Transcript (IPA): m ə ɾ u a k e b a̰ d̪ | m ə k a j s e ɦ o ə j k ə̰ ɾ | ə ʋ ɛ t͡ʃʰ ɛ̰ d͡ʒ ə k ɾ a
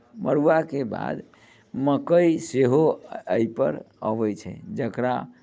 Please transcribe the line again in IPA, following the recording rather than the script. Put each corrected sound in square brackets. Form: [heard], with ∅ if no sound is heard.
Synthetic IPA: m ə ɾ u a k e b a̰ d̪ | m ə k [ə] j s e ɦ o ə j [p] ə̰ ɾ | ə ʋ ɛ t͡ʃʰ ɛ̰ d͡ʒ ə k ɾ a